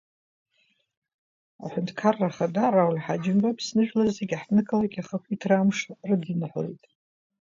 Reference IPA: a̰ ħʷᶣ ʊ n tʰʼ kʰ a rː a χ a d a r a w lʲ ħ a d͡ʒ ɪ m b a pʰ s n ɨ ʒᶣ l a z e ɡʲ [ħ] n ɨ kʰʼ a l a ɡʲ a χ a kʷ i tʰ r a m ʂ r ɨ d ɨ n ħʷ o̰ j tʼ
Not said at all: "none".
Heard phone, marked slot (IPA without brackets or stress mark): ħ